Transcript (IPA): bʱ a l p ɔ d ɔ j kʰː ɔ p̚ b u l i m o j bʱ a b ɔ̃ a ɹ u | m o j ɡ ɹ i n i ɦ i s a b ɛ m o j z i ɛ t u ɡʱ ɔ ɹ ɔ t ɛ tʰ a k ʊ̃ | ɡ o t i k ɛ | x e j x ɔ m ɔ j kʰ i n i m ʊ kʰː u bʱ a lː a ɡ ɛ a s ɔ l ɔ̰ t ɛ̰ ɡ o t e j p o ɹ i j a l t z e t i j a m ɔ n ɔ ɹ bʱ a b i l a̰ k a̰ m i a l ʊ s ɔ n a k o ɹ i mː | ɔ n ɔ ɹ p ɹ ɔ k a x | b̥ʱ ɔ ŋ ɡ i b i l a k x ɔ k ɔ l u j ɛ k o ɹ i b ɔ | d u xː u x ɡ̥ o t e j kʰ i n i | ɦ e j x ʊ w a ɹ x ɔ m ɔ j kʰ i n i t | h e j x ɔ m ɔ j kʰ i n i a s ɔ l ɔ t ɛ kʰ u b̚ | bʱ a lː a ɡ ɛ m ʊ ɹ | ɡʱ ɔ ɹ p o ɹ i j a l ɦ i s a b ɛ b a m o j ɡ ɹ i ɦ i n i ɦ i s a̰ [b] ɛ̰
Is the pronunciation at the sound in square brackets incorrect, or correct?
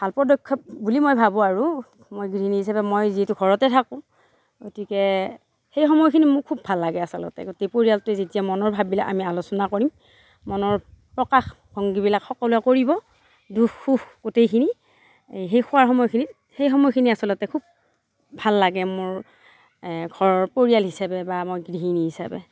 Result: correct